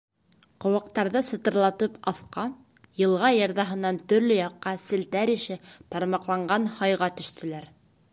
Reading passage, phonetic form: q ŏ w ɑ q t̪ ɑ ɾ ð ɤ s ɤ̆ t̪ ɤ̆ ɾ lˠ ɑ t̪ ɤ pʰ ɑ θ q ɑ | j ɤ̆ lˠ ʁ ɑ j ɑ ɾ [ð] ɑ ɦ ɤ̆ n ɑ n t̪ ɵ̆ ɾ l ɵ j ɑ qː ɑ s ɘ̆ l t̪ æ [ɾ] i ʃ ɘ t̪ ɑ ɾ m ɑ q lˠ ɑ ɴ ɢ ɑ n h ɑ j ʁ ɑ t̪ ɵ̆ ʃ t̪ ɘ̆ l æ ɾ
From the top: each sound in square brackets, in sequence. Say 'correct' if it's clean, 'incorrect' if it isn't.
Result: correct, correct

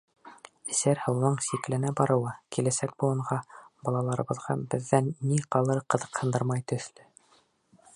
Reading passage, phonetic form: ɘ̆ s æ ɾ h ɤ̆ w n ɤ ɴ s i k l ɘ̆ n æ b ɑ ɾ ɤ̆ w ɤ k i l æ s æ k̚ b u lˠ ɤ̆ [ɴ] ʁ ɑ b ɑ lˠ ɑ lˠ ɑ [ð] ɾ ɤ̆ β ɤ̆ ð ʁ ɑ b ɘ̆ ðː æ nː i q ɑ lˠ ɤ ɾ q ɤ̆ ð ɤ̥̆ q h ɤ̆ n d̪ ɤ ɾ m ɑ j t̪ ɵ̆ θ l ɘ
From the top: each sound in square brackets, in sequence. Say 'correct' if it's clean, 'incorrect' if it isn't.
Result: correct, incorrect

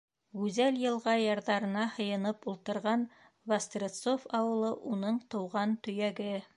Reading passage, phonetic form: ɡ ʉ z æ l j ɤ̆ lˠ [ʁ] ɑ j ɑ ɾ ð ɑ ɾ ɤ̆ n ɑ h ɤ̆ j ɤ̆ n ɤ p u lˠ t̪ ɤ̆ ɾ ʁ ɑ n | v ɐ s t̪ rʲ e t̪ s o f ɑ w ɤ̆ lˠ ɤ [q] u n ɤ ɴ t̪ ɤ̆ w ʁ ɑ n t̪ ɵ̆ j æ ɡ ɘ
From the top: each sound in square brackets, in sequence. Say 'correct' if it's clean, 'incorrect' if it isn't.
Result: correct, incorrect

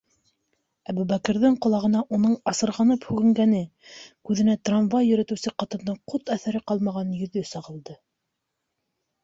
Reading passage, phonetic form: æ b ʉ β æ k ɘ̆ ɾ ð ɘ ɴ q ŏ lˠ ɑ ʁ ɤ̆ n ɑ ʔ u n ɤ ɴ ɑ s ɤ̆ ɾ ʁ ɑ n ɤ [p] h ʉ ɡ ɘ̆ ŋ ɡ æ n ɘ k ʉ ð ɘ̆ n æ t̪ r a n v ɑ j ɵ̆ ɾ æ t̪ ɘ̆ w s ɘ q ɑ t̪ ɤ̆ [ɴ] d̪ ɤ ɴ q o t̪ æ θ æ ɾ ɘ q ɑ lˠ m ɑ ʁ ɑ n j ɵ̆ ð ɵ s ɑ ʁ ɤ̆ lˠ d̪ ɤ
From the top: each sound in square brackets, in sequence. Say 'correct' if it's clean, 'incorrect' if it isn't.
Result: correct, incorrect

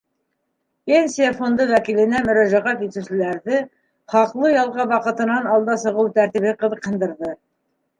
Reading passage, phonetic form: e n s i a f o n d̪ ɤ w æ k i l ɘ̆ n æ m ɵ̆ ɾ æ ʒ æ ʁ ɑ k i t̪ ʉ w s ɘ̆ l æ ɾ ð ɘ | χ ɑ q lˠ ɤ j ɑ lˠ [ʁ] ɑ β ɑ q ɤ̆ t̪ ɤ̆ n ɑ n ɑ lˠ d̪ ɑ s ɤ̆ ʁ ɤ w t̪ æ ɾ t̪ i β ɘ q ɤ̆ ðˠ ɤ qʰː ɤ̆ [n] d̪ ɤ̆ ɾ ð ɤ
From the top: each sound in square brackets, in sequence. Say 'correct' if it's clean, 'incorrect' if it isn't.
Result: correct, correct

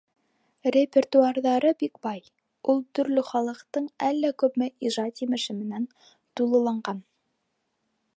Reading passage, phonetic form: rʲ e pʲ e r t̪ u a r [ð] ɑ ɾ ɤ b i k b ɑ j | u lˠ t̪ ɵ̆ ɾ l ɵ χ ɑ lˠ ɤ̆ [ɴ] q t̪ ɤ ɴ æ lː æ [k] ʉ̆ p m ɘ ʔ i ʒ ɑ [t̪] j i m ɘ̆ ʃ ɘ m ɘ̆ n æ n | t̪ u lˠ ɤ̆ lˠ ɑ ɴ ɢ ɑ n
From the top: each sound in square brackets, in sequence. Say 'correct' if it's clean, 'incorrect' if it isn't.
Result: correct, incorrect, correct, correct

